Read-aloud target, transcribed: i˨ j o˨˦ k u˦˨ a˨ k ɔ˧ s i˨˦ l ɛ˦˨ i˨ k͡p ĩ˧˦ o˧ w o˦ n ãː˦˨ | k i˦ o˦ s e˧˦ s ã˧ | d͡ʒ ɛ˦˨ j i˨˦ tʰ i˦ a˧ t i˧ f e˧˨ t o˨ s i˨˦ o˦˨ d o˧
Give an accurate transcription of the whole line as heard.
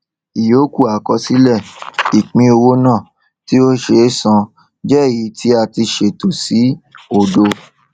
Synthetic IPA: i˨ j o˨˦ k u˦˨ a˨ k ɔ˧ s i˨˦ l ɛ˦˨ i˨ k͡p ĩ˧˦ o˧ w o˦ n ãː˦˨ | t i˦ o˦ ʃ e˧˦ s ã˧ | d͡ʒ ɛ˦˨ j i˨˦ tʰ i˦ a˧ t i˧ ʃ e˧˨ t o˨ s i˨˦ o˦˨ d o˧